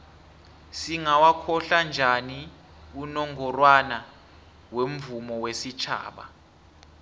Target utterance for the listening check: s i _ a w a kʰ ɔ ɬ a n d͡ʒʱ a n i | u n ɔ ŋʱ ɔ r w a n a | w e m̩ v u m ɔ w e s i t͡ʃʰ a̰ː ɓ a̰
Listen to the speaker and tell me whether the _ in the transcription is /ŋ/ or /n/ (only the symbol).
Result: ŋ